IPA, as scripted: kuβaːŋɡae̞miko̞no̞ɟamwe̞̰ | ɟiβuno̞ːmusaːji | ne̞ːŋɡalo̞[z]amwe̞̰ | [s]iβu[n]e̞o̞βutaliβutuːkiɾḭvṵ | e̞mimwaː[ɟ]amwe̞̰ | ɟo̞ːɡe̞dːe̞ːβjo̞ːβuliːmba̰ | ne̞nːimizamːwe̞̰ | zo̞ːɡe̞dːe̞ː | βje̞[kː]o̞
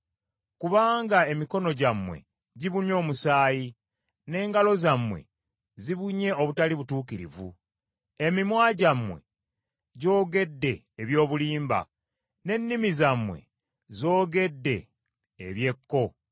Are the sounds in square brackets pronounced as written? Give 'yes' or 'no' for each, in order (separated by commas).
yes, no, no, yes, yes